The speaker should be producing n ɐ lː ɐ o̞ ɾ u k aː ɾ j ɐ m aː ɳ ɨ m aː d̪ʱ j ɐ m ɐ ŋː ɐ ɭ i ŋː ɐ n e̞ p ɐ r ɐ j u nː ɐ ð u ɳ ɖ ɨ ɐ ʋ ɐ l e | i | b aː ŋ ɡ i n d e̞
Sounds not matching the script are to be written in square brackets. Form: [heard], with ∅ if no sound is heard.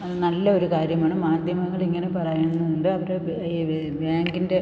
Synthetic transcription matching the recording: n ɐ lː ɐ o̞ ɾ u k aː ɾ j ɐ m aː ɳ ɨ m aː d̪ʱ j ɐ m ɐ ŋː ɐ ɭ i ŋː ɐ n e̞ p ɐ r ɐ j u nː ɐ ð u ɳ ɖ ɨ ɐ ʋ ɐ [ɾ] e | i | b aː ŋ ɡ i n d e̞